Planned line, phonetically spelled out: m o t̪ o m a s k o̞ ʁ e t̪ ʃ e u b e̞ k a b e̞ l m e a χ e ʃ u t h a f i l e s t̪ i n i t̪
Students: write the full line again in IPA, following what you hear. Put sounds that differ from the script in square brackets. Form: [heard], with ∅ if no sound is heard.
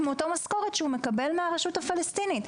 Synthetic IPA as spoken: m o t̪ o m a s k o̞ ʁ e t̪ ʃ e u [m] e̞ k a b e̞ l m e a [ʁ] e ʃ u t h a f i l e s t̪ i n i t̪